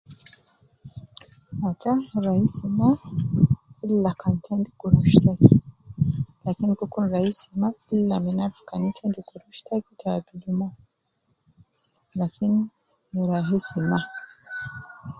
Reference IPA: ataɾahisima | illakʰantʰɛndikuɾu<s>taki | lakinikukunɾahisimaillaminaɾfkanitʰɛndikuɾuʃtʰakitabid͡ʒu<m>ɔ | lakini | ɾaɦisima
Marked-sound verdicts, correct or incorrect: incorrect, correct

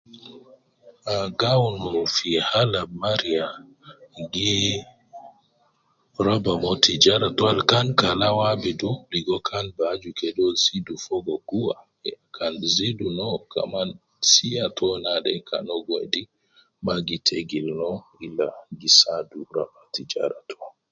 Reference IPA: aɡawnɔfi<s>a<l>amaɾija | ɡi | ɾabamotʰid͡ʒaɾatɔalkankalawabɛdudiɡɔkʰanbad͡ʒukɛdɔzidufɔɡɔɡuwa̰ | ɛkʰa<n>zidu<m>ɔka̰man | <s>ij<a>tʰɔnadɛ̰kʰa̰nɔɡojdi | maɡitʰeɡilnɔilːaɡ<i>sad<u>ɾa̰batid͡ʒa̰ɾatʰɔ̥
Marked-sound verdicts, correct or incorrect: incorrect, correct, correct, incorrect, correct, correct, correct, correct

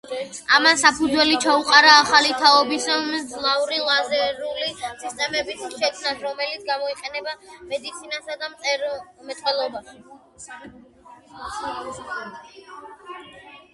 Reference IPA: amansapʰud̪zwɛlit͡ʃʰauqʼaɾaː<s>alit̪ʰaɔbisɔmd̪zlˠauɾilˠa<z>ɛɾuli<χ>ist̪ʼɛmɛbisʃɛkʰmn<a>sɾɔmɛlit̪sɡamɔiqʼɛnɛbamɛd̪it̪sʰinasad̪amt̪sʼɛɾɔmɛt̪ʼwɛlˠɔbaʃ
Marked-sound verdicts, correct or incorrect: incorrect, correct, incorrect, correct

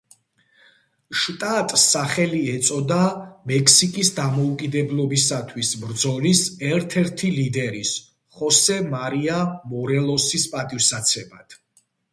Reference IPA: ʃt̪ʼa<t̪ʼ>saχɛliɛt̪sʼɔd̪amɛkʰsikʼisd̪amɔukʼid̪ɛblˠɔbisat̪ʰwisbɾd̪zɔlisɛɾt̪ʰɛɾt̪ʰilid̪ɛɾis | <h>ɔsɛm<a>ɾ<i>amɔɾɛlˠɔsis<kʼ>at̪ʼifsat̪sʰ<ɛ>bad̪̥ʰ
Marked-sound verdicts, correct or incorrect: correct, incorrect, correct, correct, incorrect, correct

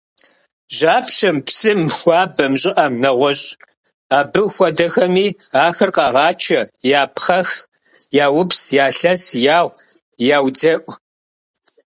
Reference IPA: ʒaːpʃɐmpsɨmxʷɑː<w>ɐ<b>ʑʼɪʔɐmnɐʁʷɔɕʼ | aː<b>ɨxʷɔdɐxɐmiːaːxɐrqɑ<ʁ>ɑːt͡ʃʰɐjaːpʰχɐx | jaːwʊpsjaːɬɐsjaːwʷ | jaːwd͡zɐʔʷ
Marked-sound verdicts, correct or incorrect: incorrect, incorrect, correct, correct

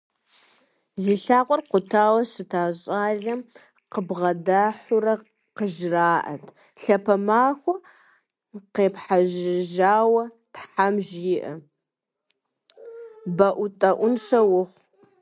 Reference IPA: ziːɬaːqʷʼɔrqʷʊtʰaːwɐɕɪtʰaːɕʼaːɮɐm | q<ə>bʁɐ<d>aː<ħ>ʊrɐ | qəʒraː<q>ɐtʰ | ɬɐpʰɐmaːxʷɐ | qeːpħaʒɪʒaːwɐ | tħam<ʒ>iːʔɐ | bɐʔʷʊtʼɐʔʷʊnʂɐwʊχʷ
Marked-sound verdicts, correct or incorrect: correct, correct, correct, incorrect, correct

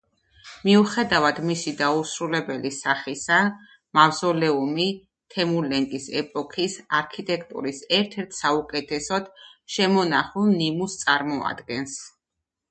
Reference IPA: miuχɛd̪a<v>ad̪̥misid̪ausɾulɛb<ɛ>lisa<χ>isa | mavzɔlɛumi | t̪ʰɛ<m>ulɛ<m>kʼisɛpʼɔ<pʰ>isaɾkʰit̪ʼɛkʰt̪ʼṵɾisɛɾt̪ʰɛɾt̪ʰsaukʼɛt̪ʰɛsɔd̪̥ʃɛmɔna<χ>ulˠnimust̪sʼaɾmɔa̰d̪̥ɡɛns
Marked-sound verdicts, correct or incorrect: correct, correct, correct, correct, incorrect, incorrect, correct

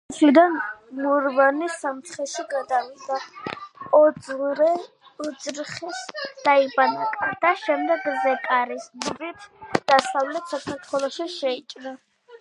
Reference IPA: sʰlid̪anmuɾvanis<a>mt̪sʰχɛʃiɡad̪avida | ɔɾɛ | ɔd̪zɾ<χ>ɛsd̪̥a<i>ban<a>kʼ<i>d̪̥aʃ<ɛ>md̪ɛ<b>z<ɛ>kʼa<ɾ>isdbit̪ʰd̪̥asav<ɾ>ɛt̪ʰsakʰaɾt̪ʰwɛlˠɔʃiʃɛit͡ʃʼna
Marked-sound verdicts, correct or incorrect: correct, correct, correct, correct, incorrect, correct, incorrect, correct, correct, incorrect

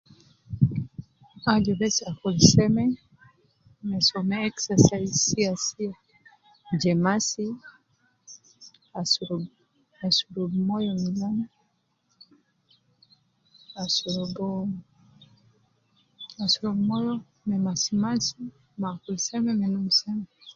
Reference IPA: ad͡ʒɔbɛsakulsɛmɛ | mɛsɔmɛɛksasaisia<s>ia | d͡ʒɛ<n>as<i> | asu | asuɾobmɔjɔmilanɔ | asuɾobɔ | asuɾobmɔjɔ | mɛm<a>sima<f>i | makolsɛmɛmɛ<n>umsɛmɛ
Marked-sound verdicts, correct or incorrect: correct, incorrect, correct, correct, incorrect, correct

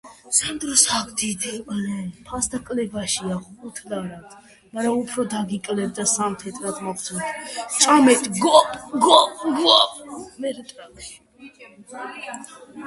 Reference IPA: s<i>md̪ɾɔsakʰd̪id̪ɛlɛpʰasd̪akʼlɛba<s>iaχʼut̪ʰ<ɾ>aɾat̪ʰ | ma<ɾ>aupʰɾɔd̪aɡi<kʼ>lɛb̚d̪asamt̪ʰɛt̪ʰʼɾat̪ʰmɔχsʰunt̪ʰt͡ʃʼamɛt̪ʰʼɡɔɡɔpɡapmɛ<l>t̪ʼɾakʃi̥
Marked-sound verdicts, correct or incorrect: incorrect, incorrect, incorrect, correct, correct, incorrect

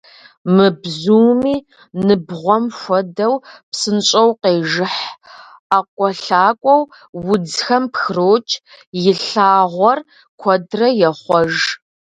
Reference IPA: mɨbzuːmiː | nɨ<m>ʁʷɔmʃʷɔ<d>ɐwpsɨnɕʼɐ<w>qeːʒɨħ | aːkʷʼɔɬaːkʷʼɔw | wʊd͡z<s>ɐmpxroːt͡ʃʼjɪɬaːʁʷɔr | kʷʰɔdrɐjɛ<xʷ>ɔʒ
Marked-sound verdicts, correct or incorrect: incorrect, correct, correct, incorrect, incorrect

